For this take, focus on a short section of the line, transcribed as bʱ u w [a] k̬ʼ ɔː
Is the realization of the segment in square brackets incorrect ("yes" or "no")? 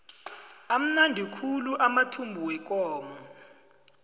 yes